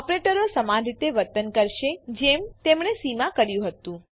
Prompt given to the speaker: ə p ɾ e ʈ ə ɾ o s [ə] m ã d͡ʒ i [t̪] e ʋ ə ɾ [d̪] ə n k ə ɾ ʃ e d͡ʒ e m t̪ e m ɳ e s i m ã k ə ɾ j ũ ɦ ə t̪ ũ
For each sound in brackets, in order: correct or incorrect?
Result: correct, correct, incorrect: t̪

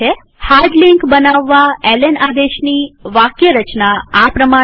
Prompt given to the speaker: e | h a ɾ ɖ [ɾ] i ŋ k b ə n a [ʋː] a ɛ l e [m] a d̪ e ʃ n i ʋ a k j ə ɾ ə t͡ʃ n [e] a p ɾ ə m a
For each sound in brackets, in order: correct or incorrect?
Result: incorrect: l, correct, incorrect: n, incorrect: a

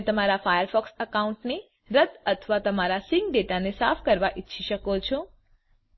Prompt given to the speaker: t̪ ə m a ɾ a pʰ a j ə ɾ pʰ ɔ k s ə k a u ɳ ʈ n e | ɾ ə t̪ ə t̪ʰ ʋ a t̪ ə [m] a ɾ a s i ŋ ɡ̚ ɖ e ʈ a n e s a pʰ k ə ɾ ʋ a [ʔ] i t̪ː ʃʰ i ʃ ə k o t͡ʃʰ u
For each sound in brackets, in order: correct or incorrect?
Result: correct, correct

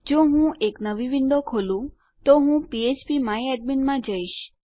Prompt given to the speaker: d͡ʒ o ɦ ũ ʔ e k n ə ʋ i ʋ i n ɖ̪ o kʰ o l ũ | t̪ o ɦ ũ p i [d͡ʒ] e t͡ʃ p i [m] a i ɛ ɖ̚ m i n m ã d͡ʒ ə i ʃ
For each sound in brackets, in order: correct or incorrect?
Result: incorrect: none, correct

